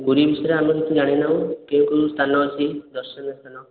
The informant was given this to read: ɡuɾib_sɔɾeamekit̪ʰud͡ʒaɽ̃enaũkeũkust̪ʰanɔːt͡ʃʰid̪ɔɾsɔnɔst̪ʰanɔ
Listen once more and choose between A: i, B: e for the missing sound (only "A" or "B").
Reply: A